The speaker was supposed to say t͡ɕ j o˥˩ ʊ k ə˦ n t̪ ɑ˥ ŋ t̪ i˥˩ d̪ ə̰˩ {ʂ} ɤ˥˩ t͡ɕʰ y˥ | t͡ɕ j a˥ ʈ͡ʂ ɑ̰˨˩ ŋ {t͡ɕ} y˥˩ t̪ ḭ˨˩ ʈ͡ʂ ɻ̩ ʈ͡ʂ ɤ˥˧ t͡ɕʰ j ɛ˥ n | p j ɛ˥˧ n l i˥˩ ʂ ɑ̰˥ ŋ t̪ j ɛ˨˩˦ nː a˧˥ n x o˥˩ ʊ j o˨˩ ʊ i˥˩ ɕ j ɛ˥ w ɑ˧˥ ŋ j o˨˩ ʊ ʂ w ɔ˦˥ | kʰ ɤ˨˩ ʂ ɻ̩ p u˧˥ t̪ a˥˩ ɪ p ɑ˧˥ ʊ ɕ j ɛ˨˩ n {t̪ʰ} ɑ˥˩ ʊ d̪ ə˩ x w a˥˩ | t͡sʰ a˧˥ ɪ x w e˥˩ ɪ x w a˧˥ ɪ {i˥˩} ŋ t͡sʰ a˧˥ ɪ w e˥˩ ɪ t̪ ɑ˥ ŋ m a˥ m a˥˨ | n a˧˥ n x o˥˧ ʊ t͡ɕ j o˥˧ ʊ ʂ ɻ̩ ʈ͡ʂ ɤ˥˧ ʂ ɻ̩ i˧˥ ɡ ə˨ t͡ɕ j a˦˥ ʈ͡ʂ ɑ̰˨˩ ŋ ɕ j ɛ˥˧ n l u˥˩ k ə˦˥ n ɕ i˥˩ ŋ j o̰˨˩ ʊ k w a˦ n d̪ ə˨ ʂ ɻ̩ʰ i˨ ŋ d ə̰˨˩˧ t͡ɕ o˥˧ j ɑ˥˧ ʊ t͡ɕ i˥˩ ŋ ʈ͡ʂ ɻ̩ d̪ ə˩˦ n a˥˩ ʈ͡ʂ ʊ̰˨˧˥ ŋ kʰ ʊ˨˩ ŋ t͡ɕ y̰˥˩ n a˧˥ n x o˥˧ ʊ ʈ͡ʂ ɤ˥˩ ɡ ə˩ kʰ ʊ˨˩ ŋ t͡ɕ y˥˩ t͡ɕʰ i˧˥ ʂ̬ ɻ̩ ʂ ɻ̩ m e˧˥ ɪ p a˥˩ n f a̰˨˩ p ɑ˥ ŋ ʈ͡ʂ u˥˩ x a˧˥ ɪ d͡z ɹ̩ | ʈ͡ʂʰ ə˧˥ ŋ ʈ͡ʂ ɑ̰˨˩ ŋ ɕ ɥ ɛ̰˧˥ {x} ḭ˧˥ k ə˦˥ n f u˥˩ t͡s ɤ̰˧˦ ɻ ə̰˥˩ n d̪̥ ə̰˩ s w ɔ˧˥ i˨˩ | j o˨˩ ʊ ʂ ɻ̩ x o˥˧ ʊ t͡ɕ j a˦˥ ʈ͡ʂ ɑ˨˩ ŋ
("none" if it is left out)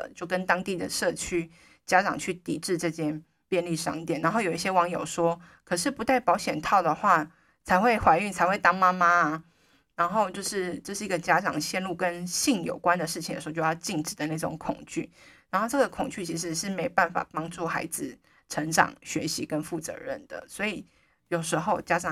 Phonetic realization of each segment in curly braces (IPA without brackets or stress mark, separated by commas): ʂ, t͡ɕʰ, t̪ʰ, y˥˩, ɕ